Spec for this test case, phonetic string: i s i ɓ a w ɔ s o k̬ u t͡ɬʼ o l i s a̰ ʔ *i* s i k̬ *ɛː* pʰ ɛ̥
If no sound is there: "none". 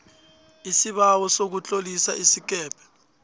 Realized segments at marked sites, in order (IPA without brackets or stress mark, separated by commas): i, ɛː